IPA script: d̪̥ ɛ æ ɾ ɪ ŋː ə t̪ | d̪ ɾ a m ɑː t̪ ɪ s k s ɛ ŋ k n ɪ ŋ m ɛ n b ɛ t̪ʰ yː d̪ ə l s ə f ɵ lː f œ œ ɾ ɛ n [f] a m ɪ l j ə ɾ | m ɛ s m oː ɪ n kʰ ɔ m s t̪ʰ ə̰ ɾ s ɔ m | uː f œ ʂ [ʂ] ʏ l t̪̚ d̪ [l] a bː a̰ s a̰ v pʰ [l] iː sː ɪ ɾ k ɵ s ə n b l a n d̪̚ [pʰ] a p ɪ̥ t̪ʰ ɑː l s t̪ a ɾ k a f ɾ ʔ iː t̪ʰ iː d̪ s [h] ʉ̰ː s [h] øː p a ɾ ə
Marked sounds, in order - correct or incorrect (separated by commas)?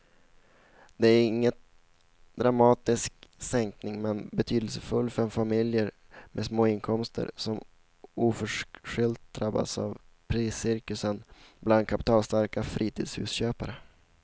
correct, correct, incorrect, incorrect, incorrect, correct, incorrect